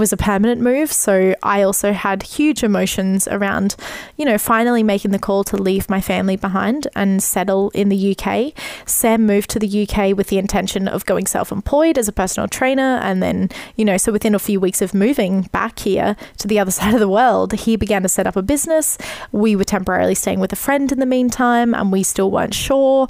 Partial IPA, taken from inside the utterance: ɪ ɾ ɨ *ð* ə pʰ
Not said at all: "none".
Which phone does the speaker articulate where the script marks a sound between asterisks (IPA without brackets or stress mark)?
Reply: z